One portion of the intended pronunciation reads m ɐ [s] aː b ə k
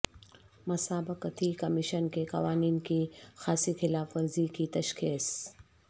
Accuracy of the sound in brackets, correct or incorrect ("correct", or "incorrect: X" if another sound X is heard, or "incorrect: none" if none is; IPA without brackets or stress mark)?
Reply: correct